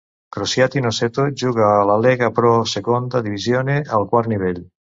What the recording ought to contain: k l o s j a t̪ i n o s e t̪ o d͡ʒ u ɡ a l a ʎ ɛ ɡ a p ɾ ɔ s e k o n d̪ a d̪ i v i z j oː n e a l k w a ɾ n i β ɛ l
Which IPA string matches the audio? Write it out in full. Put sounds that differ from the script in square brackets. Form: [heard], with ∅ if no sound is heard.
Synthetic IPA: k [ɾ] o s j a t̪ i n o s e t̪ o d͡ʒ u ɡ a l a [l] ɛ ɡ a p ɾ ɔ s e k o n d̪ a d̪ i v i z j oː n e a l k w a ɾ n i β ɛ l